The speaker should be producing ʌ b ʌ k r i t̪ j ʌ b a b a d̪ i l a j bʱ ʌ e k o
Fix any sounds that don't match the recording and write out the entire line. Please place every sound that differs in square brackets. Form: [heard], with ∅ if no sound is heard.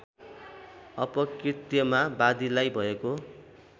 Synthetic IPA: ʌ [p] ʌ k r i t̪ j ʌ [m] a b a d̪ i l a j bʱ ʌ e k o